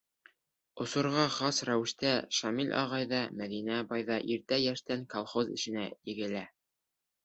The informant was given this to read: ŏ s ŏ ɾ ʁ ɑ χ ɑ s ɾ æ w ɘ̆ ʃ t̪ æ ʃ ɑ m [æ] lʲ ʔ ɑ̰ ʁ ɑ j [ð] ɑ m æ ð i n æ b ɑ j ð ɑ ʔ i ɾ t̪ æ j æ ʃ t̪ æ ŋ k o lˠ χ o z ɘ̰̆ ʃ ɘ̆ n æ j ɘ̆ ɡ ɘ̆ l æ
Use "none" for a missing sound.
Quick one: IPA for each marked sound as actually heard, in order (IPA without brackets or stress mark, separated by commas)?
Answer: i, ð